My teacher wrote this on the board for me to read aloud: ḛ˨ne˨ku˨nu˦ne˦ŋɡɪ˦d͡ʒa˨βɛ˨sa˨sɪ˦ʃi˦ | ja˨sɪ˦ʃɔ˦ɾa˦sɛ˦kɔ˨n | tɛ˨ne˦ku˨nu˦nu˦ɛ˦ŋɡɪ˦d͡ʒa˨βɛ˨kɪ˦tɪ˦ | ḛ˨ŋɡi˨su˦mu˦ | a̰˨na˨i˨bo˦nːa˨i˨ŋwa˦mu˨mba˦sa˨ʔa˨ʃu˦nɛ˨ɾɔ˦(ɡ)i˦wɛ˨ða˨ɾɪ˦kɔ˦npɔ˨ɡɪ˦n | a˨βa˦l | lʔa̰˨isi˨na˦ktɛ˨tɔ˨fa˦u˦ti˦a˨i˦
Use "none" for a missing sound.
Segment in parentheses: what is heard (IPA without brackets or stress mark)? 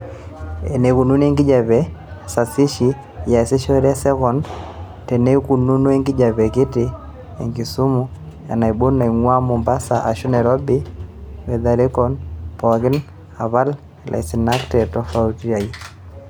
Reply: b